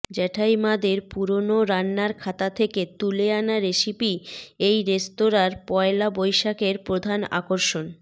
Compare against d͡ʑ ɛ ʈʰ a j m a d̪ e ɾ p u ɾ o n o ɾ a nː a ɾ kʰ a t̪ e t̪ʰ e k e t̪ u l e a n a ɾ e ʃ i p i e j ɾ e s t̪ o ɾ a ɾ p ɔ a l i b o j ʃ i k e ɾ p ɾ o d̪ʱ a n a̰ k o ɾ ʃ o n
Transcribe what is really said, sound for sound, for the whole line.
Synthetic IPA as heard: d͡ʑ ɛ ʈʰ a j m a d̪ e ɾ p u ɾ o n o ɾ a nː a ɾ kʰ a t̪ a t̪ʰ e k e t̪ u l e a n a ɾ e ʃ i p i e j ɾ e s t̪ o ɾ a ɾ p ɔ e l a b o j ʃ a k e ɾ p ɾ o d̪ʱ a n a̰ k o ɾ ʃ o n

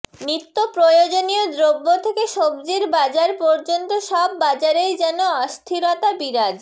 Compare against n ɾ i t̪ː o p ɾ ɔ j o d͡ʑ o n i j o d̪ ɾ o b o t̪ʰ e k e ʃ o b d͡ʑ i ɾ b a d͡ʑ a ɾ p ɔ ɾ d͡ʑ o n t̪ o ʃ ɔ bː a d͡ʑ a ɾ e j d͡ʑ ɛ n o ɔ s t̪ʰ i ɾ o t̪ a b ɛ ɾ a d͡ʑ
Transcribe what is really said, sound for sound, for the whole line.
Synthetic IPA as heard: n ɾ i t̪ː o p ɾ o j o d͡ʑ o n i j o d̪ ɾ o bː o t̪ʰ e k e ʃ o b d͡ʑ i ɾ b a d͡ʑ a ɾ p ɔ ɾ d͡ʑ o n t̪ o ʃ ɔ bː a d͡ʑ a ɾ e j d͡ʑ ɛ n o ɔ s t̪ʰ i ɾ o t̪ a b i ɾ a d͡ʑ

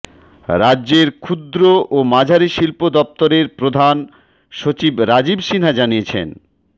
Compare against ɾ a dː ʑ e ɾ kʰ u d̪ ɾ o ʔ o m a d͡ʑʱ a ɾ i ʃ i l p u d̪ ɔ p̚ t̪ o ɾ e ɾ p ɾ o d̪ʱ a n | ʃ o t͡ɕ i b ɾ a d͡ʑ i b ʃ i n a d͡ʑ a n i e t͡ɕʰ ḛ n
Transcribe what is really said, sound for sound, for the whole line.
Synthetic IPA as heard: ɾ a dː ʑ e ɾ kʰ u d̪ ɾ o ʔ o m a d͡ʑʱ a ɾ i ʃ i l p o d̪ ɔ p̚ t̪ o ɾ e ɾ p ɾ o d̪ʱ a n | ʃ o t͡ɕ i b ɾ a d͡ʑ i b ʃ i n a d͡ʑ a n i e t͡ɕʰ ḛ n

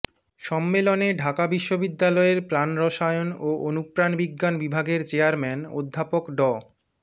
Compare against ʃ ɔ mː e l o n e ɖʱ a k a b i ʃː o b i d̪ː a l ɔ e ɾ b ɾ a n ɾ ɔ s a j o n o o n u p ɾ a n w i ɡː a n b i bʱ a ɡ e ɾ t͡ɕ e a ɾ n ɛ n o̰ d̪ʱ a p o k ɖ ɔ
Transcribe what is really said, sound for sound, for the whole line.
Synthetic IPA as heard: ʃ ɔ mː e l o n e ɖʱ a k a b i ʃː o b i d̪ː a l ɔ e ɾ p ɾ a n ɾ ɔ ʃ a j o n o o n u p ɾ a n b i ɡː a n b i bʱ a ɡ e ɾ t͡ɕ e a ɾ m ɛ n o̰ d̪ʱː a p o k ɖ ɔ

